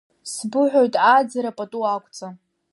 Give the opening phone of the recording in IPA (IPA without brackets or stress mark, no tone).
s